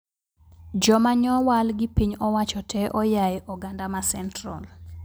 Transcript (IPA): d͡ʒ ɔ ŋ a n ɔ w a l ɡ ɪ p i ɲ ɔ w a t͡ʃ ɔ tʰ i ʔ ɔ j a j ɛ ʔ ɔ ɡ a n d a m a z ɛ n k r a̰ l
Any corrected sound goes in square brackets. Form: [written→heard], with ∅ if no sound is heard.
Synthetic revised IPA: d͡ʒ ɔ [ŋ→m] a [n→ɲ] ɔ w a l ɡ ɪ p i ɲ ɔ w a t͡ʃ ɔ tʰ [i→ɛ] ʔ ɔ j a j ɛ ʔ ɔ ɡ a n d a m a [z→s] ɛ n [k→t] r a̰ l